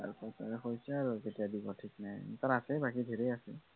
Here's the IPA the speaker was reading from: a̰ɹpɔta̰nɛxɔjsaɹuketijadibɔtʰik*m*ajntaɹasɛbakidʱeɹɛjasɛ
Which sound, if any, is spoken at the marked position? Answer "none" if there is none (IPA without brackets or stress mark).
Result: n